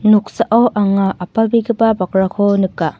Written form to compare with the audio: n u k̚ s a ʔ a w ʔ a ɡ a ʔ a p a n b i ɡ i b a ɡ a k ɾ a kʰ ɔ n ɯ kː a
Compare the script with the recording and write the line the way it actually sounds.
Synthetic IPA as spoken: n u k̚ s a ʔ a w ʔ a ŋ a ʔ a p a b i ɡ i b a b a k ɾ a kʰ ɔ n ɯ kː a